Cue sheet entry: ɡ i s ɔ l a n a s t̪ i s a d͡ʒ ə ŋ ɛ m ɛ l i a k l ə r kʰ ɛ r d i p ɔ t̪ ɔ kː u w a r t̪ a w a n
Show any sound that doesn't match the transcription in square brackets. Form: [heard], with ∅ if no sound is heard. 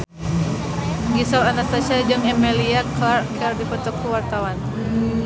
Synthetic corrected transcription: ɡ i s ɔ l a n a s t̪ [a] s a d͡ʒ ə ŋ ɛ m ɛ l i a k l [a] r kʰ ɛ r d i p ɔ t̪ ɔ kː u w a r t̪ a w a n